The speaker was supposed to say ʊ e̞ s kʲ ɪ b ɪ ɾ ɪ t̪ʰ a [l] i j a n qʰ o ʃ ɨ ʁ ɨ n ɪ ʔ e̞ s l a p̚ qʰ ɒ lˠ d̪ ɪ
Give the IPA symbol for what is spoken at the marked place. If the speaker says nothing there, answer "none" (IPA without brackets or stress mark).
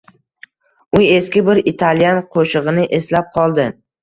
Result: l